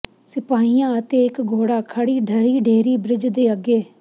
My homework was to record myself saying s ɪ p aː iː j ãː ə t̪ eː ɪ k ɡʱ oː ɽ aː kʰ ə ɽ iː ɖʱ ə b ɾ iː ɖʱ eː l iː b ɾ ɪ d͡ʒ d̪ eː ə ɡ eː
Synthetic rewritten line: s ɪ p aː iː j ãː ə t̪ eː ɪ k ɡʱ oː ɽ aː kʰ ə ɽ iː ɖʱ ə ɾ iː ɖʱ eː ɾ iː b ɾ ɪ d͡ʒ d̪ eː ə ɡ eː